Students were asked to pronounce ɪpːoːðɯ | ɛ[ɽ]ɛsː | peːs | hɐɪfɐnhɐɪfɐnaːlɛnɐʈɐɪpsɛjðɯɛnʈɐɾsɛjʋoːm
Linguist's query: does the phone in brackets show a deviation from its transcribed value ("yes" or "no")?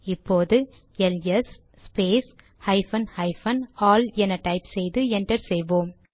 yes